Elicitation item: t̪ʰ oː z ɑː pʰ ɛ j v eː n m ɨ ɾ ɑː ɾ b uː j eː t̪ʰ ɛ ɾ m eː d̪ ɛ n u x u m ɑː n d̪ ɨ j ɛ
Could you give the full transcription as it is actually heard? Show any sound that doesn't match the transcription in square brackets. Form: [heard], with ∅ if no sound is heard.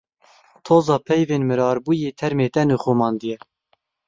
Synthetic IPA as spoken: t̪ʰ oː z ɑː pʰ ɛ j v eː n m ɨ ɾ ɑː ɾ b uː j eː t̪ʰ ɛ ɾ m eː [t̪] ɛ n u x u m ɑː n d̪ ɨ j ɛ